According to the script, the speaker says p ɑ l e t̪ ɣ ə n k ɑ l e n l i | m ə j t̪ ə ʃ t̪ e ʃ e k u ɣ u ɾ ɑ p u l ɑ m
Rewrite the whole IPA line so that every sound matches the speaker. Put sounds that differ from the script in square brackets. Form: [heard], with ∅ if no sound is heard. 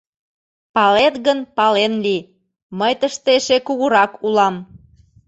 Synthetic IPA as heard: p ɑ l e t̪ ɣ ə n [p] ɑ l e n l i | m ə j t̪ ə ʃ t̪ e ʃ e k u ɣ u ɾ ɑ [k] u l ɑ m